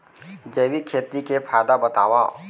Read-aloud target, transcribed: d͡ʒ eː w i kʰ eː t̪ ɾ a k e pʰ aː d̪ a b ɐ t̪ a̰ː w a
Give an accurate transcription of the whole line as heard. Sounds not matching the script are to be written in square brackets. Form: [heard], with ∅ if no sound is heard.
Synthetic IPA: d͡ʒ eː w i kʰ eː t̪ ɾ [i] k e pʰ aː d̪ a b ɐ t̪ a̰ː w a